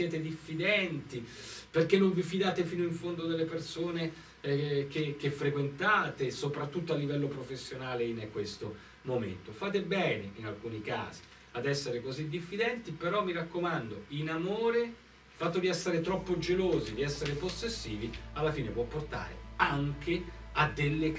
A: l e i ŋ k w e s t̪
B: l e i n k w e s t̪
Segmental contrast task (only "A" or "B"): B